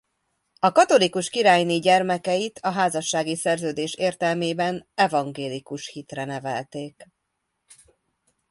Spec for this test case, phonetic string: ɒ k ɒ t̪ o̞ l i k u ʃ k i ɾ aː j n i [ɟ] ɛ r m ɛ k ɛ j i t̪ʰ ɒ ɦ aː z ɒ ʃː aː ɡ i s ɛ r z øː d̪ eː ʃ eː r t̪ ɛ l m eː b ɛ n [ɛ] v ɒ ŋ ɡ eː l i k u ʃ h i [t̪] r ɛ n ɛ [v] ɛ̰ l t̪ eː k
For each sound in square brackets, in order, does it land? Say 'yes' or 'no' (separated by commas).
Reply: yes, yes, yes, yes